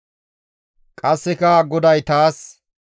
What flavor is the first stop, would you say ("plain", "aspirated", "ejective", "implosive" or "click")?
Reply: ejective